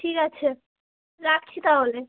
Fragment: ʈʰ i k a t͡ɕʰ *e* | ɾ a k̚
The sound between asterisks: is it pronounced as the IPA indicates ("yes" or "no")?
yes